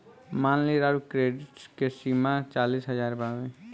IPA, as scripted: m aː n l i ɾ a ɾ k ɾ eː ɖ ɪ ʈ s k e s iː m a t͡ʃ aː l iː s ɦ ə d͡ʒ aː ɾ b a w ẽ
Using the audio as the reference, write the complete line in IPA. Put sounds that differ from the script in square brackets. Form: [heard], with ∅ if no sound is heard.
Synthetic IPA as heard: m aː n l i ɾ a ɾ k ɾ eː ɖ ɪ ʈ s k e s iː m a t͡ʃ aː l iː s ɦ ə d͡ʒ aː ɾ b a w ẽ